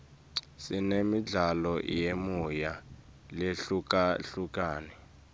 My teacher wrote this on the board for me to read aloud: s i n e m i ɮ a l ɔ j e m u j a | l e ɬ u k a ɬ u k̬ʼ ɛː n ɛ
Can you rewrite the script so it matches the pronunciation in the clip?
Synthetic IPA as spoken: s i n e m i ɮ a l ɔ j e m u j a | l e ɬ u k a ɬ u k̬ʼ aː n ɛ